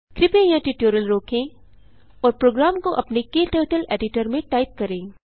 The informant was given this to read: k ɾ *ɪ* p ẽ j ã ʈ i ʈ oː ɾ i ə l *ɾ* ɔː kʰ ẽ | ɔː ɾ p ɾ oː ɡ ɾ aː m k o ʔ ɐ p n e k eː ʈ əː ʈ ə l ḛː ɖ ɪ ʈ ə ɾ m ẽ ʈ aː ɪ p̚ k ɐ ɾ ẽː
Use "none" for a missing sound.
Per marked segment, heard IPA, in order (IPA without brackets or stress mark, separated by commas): ɪ, ɾ